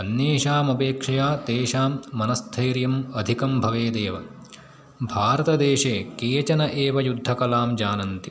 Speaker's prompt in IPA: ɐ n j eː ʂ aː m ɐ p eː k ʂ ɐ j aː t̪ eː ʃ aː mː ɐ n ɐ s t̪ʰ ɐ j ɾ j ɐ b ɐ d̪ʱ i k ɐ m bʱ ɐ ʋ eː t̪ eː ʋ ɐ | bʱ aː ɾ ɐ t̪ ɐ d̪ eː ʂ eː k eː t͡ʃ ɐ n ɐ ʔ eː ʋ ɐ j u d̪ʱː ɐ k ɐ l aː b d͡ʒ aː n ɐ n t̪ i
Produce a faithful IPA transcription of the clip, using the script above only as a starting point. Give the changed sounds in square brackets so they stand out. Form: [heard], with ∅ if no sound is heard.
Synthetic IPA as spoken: ɐ n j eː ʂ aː m ɐ p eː k ʂ ɐ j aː t̪ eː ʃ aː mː ɐ n ɐ s t̪ʰ ɐ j ɾ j ɐ [m] ɐ d̪ʱ i k ɐ m bʱ ɐ ʋ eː [d̪] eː ʋ ɐ | bʱ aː ɾ ɐ t̪ ɐ d̪ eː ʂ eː k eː t͡ʃ ɐ n ɐ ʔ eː ʋ ɐ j u d̪ʱː ɐ k ɐ l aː [m] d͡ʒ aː n ɐ n t̪ i